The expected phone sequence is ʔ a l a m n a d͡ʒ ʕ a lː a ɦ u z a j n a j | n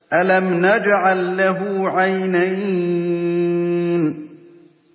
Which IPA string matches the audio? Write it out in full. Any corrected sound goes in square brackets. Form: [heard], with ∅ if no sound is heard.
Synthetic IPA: ʔ a l a m n a d͡ʒ ʕ a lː a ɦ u [ʕ] a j n a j | n